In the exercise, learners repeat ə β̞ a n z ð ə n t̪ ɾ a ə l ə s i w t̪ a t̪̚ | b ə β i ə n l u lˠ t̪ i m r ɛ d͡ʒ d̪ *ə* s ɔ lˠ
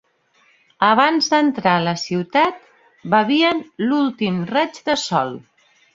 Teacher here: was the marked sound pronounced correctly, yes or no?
yes